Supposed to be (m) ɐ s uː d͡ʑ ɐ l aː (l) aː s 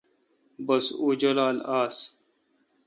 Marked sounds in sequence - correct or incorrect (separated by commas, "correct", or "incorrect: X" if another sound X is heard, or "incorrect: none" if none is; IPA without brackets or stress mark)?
incorrect: b, correct